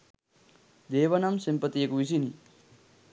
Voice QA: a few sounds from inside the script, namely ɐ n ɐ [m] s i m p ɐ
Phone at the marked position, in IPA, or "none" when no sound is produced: m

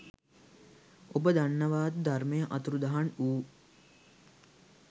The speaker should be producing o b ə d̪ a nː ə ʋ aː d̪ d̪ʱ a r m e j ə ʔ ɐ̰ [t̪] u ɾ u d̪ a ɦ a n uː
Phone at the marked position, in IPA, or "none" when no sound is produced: t̪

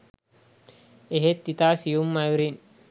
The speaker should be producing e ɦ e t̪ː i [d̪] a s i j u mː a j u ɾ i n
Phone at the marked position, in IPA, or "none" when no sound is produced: t̪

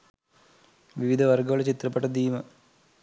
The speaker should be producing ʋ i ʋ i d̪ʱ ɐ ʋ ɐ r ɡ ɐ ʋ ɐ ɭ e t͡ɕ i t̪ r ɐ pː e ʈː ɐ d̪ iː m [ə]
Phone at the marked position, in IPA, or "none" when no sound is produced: ɐ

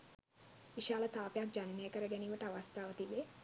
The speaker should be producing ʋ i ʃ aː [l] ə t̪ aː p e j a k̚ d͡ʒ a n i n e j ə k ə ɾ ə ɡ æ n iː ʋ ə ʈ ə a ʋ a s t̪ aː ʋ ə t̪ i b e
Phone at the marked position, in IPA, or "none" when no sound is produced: l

